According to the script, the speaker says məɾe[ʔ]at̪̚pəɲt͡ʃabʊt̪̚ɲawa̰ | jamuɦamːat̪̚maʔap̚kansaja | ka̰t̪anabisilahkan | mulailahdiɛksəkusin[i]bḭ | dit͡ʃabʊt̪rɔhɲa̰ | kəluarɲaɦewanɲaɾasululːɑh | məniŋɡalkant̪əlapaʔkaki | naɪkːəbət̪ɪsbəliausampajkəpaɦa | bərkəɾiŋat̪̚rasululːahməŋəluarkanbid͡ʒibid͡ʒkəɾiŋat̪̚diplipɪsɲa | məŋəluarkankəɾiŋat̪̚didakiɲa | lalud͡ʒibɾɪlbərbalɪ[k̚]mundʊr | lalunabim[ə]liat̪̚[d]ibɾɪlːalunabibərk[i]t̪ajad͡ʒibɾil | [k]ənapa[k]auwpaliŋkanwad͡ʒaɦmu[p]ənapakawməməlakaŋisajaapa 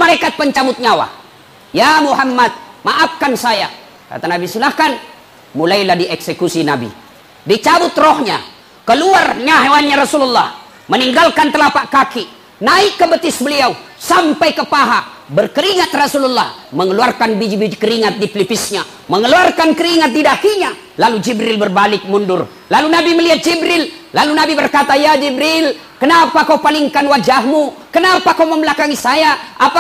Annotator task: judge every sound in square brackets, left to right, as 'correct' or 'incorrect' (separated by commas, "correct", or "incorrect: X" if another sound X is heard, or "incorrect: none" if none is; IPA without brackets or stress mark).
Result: incorrect: k, incorrect: a, correct, correct, incorrect: d͡ʒ, incorrect: a, correct, correct, incorrect: k